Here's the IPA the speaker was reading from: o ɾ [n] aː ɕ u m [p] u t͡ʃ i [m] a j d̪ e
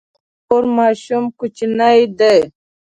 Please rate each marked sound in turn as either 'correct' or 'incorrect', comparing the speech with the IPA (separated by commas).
incorrect, incorrect, incorrect